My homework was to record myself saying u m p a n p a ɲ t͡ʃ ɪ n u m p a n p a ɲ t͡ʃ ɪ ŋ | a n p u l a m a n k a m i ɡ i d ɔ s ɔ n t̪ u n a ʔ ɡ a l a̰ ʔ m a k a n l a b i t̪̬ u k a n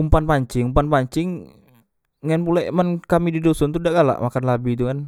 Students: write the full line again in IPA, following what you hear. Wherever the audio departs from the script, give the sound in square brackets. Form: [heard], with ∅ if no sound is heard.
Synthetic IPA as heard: u m p a n p a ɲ t͡ʃ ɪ [ŋ] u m p a n p a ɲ t͡ʃ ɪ ŋ | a n p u l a m a n k a m i [d] i d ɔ s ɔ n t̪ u [d] a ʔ ɡ a l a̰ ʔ m a k a n l a b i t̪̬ u k a n